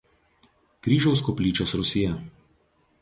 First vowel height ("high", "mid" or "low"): high